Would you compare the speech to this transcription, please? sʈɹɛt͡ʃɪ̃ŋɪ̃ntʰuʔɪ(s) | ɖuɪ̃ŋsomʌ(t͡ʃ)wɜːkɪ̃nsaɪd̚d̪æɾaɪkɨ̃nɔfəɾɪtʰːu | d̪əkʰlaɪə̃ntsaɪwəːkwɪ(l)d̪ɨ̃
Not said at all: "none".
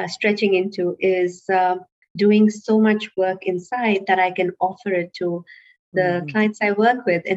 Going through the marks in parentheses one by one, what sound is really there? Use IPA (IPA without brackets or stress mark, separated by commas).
z, t͡ʃ, none